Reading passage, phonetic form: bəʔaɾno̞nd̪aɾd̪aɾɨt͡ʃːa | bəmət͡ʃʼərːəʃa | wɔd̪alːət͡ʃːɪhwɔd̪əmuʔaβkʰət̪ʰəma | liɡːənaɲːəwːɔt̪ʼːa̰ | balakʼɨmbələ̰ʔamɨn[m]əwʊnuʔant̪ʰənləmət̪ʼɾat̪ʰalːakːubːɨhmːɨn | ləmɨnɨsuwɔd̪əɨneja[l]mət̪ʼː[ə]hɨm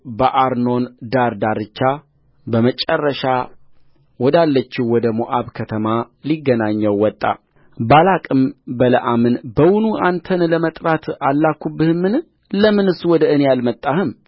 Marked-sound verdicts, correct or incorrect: incorrect: b, correct, incorrect: a

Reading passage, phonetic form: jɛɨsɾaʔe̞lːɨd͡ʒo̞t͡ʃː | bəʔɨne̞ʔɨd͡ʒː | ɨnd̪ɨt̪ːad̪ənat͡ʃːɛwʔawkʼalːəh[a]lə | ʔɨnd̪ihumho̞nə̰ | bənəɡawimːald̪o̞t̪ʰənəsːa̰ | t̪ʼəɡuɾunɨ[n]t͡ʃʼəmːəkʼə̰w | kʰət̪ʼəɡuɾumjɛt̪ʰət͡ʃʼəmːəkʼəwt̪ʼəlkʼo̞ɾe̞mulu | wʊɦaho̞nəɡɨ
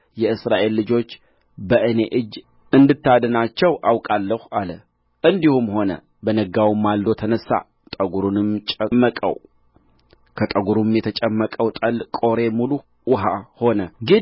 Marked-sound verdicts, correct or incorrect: correct, incorrect: m

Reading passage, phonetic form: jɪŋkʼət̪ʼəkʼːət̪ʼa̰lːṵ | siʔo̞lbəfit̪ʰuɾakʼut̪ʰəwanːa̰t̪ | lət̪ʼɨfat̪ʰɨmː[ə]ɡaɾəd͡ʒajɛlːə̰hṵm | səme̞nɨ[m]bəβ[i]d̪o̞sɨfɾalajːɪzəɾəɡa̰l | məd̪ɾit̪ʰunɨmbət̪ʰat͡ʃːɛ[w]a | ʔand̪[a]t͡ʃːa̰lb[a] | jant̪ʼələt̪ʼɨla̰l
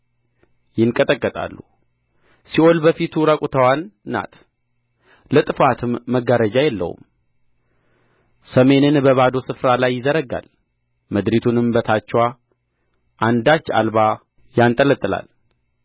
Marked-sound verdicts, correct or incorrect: correct, incorrect: n, incorrect: a, correct, correct, correct

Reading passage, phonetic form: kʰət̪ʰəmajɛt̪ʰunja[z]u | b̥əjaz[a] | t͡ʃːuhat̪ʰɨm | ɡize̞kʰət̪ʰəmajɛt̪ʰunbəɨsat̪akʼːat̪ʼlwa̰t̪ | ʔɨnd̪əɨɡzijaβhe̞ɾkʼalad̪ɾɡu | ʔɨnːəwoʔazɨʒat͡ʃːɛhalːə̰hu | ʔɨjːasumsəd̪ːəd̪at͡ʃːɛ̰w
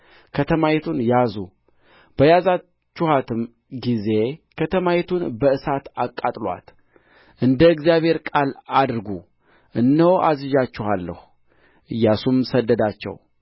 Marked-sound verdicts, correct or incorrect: correct, correct

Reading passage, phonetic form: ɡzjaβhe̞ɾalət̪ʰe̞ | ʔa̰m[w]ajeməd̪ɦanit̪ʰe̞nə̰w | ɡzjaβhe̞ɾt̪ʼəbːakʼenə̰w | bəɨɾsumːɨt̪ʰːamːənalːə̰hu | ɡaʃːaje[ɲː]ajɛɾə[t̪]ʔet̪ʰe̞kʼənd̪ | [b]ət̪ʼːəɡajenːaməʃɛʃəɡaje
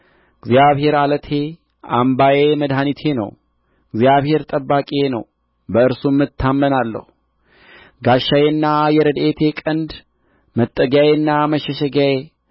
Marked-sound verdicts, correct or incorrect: incorrect: b, incorrect: nː, incorrect: d̪, incorrect: m

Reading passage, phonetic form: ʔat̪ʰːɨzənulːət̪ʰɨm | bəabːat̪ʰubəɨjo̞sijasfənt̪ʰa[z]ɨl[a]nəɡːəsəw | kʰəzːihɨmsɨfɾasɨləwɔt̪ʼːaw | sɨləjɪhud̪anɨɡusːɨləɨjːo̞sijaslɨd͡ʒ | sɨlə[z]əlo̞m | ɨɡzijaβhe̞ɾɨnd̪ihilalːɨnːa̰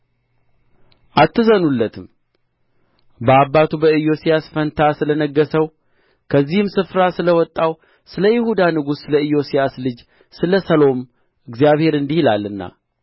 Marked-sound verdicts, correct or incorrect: incorrect: s, incorrect: ə, incorrect: s

